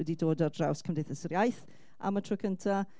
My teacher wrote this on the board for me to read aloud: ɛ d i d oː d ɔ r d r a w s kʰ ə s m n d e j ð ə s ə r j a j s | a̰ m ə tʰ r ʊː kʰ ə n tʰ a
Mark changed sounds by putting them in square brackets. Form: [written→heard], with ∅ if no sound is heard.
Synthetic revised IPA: ɛ d i d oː d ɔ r d r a w s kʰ ə [s→∅] m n d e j [ð→θ] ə s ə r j a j [s→θ] | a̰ m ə tʰ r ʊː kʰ ə n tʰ a